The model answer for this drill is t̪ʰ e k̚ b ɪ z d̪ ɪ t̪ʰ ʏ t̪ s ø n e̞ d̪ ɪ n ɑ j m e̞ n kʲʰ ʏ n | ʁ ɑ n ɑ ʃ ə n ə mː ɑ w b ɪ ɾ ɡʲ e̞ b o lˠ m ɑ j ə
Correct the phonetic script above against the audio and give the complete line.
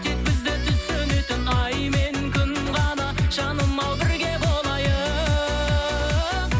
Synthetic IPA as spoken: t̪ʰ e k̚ b ɪ z d̪ ɪ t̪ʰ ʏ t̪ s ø n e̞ t̪ ɪ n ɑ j m e̞ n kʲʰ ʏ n | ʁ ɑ n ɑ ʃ ɑ n ə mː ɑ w b ɪ ɾ ɡʲ e̞ b o lˠ m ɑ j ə